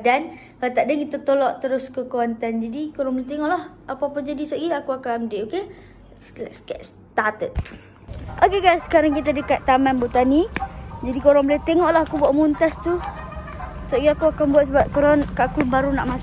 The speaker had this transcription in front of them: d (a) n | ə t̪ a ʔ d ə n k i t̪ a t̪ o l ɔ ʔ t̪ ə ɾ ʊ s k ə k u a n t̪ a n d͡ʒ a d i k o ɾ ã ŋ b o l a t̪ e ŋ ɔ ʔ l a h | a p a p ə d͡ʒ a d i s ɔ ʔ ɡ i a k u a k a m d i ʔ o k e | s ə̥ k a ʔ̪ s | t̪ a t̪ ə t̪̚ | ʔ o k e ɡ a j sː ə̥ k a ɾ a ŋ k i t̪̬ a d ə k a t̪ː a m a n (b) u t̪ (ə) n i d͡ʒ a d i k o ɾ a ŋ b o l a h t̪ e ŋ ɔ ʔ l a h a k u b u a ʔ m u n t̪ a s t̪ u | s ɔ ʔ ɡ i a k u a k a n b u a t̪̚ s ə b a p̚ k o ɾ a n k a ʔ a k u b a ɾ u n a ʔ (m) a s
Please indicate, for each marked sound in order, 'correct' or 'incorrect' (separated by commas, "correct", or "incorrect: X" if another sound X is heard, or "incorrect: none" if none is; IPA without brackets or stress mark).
correct, correct, incorrect: a, correct